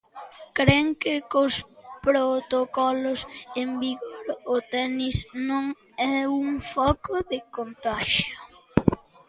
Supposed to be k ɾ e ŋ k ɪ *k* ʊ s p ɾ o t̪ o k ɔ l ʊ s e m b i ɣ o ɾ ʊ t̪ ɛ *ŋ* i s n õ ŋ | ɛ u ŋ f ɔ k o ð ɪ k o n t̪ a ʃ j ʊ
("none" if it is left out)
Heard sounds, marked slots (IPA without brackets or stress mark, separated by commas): k, n